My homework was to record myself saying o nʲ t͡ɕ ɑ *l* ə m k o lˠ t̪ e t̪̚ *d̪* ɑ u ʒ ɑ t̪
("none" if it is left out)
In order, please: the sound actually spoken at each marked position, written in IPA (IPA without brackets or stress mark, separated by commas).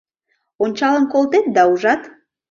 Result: l, d̪